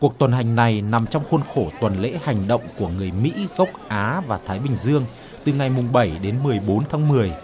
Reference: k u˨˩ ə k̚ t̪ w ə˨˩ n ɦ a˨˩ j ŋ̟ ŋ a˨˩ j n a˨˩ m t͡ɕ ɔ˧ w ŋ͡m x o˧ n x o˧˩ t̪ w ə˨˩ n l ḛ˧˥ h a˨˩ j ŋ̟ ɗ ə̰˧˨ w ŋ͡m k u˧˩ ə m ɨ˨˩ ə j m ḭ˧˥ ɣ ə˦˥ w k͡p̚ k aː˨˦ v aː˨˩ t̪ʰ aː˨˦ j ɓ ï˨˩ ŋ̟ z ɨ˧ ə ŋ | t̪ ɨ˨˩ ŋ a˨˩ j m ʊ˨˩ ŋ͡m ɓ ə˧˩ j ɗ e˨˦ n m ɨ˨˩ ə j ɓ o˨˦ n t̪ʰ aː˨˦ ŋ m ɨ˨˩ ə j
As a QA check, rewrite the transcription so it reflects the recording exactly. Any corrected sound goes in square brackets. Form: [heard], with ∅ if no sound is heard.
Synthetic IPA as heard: k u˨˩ ə k̚ t̪ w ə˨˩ n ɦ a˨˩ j ŋ̟ [n] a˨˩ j n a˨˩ m t͡ɕ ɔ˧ w ŋ͡m x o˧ n x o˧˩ t̪ w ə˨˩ n l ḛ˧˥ h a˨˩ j ŋ̟ ɗ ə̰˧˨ w ŋ͡m k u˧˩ ə [ŋ] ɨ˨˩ ə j m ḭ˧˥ ɣ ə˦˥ w k͡p̚ [ʔ] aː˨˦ v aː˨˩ t̪ʰ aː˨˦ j ɓ ï˨˩ ŋ̟ z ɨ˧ ə ŋ | t̪ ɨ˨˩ ŋ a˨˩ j m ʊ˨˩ ŋ͡m ɓ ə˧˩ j ɗ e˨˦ n m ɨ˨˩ ə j ɓ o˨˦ n t̪ʰ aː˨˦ ŋ m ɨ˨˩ ə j